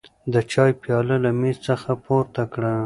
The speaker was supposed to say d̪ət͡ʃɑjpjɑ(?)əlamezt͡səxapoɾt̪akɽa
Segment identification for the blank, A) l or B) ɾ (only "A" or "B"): A